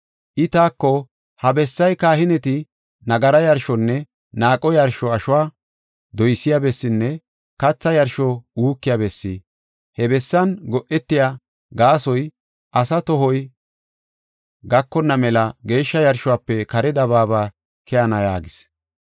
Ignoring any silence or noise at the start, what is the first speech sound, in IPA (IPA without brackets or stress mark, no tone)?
ʔ